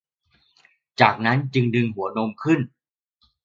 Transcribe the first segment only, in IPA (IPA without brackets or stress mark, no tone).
t͡ɕ